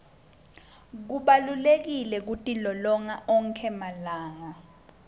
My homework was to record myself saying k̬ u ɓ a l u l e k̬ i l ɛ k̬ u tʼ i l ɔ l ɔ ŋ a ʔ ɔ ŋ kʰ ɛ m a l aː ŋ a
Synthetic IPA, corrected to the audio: k̬ u ɓ a l u l e k̬ i l ɛ k̬ u tʼ i l ɔ l ɔ ŋ a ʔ ɔ ŋ kʰ ɛ m a l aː ŋ a